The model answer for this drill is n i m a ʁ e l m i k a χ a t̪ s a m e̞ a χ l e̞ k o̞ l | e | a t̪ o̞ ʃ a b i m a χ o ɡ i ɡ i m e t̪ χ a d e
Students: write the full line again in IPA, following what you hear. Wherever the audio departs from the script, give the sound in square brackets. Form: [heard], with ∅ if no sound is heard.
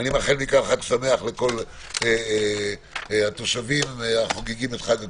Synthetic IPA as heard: n i m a [χ] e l m i k a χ a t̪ s a m e̞ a χ l e̞ k o̞ l | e | a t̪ o̞ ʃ a [v] i m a χ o ɡ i ɡ i m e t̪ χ a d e